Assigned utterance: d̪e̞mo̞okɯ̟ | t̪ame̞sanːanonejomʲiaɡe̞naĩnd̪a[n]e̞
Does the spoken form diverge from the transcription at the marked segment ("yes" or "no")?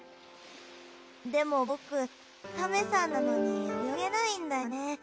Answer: no